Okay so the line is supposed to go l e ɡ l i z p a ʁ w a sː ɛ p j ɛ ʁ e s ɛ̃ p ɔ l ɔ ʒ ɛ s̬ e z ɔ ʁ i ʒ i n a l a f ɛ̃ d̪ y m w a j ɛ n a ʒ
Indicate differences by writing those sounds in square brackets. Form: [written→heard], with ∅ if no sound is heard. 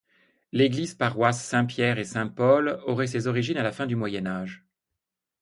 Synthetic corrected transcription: l e ɡ l i z p a ʁ w a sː [ɛ→ɛ̃] p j ɛ ʁ e s ɛ̃ p ɔ l ɔ [ʒ→ʁ] ɛ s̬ e z ɔ ʁ i ʒ i n a l a f ɛ̃ d̪ y m w a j ɛ n a ʒ